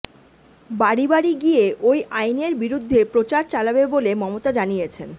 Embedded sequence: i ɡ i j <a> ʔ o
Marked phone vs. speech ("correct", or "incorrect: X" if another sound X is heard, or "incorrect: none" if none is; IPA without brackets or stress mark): incorrect: e